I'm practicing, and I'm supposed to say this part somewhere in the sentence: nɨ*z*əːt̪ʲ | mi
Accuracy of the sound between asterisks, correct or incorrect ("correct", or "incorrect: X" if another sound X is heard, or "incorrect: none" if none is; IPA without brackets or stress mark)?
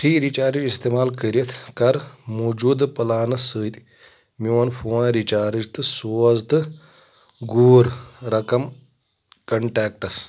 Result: incorrect: s